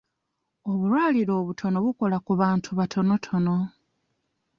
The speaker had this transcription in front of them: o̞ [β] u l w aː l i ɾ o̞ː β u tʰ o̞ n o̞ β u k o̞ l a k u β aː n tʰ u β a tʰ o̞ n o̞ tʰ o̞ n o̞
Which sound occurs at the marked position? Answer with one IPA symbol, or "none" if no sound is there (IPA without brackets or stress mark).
β